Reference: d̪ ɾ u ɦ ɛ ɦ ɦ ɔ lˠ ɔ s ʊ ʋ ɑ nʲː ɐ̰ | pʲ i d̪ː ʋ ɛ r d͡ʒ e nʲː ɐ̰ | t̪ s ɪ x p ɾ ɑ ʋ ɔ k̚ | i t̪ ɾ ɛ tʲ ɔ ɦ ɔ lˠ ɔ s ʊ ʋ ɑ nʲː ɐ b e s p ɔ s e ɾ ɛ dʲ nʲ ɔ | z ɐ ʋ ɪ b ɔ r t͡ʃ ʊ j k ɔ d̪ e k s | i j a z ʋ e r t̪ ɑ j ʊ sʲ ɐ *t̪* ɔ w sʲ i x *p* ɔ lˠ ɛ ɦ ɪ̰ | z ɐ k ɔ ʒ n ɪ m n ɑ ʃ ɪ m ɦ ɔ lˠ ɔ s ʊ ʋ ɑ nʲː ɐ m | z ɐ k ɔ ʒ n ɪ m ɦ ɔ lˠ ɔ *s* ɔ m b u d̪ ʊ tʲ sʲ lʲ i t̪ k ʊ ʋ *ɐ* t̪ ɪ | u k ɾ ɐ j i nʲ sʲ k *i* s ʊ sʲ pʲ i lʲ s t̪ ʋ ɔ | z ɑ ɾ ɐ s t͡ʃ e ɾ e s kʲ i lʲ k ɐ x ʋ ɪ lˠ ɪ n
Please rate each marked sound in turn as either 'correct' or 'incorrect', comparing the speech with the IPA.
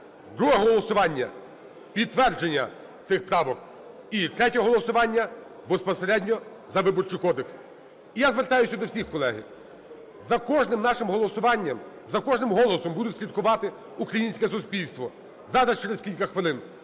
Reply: incorrect, incorrect, correct, incorrect, incorrect

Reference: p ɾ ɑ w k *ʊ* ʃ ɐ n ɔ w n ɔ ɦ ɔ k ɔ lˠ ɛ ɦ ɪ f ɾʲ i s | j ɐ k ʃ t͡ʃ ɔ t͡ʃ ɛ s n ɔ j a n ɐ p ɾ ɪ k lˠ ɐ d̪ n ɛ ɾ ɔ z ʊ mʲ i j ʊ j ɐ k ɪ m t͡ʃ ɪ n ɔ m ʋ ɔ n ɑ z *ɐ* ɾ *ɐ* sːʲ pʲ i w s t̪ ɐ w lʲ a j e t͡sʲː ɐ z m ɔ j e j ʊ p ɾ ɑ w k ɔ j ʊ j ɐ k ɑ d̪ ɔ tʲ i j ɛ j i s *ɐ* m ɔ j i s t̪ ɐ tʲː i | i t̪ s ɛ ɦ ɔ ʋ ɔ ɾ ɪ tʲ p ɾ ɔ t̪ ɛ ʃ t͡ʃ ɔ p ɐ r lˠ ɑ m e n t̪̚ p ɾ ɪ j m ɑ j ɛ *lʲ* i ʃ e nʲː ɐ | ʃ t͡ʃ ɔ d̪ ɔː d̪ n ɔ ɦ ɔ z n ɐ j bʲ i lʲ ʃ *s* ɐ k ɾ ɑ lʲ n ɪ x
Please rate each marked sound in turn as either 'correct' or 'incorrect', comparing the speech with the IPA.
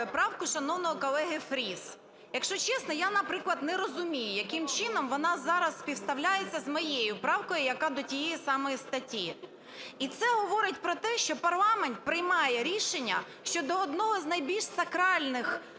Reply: correct, incorrect, correct, incorrect, incorrect, correct

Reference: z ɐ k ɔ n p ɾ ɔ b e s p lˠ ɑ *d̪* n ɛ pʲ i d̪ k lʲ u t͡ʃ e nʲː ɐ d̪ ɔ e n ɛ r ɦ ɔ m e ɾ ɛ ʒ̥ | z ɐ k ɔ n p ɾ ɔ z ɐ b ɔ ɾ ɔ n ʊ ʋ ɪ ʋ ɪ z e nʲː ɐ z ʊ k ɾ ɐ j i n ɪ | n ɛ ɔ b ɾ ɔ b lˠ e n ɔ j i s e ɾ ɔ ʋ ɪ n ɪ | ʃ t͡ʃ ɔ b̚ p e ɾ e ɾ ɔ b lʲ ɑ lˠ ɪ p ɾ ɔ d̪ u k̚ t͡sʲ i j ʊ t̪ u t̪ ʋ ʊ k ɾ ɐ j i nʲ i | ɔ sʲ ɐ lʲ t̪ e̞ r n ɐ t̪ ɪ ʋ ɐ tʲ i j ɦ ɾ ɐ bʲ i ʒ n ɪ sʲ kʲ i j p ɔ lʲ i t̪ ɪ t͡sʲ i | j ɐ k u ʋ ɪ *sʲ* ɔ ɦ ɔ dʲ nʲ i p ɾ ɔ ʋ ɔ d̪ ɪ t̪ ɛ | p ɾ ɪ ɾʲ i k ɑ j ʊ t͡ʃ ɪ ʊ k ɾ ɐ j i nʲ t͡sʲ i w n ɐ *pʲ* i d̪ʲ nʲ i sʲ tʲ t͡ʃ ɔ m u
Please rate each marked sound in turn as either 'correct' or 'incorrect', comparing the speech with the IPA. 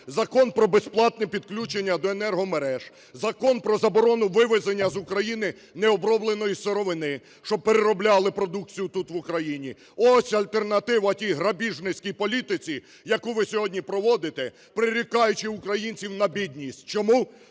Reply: incorrect, correct, incorrect

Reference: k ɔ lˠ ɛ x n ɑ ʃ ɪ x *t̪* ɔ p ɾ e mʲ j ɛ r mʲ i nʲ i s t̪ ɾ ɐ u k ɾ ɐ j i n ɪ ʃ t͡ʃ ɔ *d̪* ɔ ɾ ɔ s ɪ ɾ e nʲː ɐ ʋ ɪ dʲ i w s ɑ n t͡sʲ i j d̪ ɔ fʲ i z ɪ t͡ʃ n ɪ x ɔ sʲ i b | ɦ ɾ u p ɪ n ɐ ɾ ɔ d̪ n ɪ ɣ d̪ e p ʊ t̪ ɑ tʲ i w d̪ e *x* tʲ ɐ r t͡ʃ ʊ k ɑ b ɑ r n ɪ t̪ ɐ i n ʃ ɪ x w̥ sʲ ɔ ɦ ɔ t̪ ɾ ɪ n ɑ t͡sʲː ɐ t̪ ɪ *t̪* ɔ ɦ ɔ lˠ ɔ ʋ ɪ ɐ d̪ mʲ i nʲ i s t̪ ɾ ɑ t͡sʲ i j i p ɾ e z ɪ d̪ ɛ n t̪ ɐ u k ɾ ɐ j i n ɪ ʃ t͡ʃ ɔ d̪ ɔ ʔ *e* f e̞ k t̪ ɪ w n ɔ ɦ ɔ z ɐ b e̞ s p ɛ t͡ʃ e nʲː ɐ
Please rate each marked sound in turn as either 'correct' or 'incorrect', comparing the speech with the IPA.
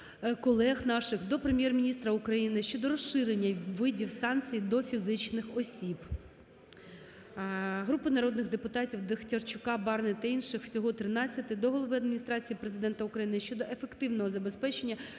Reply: incorrect, correct, correct, incorrect, correct

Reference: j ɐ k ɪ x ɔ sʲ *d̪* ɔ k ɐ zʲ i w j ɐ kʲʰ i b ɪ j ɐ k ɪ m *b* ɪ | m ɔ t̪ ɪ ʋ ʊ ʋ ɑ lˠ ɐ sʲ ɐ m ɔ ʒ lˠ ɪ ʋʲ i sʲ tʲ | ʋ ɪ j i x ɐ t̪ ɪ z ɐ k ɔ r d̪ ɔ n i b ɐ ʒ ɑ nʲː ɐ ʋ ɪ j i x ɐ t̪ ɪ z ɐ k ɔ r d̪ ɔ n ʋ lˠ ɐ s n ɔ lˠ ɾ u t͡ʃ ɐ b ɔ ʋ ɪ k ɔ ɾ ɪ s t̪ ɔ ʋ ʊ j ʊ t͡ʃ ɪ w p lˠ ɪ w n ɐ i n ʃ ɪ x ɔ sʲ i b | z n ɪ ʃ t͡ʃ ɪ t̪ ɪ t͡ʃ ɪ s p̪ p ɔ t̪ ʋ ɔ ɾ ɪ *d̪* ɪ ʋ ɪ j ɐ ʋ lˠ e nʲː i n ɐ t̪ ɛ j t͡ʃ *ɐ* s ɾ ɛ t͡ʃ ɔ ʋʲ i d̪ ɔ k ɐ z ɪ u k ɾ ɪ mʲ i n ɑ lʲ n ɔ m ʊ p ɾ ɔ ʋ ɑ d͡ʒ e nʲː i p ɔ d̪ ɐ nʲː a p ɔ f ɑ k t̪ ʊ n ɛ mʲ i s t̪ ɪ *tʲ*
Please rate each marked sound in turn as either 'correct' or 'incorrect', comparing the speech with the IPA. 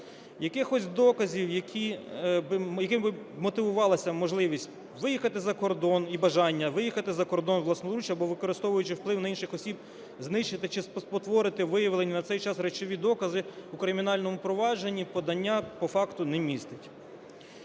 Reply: correct, correct, incorrect, incorrect, correct

